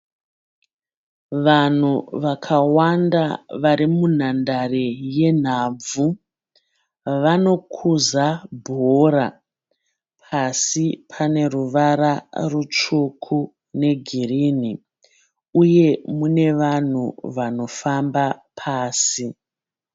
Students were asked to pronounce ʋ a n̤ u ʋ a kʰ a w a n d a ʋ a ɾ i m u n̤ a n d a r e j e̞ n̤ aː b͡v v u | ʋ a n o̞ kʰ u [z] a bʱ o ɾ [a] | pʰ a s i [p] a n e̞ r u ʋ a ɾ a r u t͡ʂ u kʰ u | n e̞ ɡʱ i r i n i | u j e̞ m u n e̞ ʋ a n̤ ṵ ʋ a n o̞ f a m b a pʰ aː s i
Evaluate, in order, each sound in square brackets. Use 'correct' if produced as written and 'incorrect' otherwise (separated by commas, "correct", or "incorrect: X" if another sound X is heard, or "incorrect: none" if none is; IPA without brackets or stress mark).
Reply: correct, correct, incorrect: pʰ